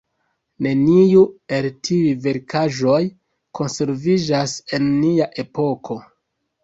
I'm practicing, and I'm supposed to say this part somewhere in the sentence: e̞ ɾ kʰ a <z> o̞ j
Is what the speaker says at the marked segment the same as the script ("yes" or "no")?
no